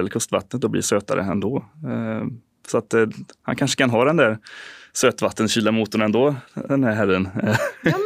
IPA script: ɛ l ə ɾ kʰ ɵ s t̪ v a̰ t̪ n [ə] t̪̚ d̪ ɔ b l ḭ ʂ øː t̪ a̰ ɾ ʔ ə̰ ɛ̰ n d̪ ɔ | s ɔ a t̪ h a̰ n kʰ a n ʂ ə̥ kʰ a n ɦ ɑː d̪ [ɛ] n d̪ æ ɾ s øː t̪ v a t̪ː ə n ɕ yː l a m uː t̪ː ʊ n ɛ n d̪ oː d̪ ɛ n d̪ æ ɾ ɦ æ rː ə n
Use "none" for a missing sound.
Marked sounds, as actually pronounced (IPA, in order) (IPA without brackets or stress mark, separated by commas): ə, ɛ